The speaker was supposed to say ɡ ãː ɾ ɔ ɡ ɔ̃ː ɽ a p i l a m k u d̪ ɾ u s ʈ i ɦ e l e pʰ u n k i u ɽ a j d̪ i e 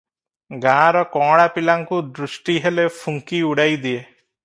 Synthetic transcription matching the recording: ɡ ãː ɾ ɔ k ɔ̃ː ɽ a p i l a ŋ k u d̪ ɾ u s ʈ i ɦ e l e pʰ u ŋ k i u ɽ a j d̪ i e